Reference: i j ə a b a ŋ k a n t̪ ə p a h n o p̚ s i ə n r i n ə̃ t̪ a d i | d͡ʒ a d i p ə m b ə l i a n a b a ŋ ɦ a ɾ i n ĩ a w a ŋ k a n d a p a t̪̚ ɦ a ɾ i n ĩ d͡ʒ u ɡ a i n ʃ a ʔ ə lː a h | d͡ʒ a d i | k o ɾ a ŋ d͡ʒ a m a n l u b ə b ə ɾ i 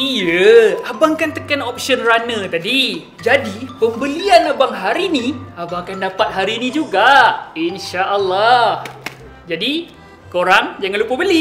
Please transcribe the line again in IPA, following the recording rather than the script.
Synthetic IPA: i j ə a b a ŋ k a n t̪ ə k a n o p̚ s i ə n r a n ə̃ t̪ a d i | d͡ʒ a d i p ə m b ə l i a n a b a ŋ ɦ a ɾ i n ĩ a b a ŋ k a n d a p a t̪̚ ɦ a ɾ i n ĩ d͡ʒ u ɡ a i n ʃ a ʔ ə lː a h | d͡ʒ a d i | k o ɾ a ŋ d͡ʒ a ŋ a n l u p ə b ə l i